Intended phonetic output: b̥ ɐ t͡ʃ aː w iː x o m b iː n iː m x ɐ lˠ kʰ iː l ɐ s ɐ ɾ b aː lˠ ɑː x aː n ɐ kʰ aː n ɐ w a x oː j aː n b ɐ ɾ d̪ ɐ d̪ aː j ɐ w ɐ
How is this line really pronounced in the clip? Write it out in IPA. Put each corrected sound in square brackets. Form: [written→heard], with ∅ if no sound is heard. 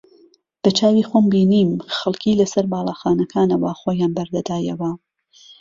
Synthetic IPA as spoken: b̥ ɐ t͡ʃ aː w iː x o m b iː n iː m x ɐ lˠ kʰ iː l ɐ s ɐ ɾ b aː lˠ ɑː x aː n ɐ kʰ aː n ɐ w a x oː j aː n b ɐ ɾ d̪ ɐ d̪ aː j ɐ w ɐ